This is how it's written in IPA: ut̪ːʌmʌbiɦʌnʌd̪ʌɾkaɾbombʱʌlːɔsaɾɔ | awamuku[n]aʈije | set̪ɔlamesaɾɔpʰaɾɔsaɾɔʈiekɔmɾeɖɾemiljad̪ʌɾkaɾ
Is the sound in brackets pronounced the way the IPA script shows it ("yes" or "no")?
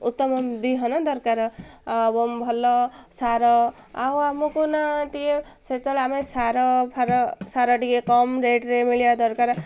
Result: yes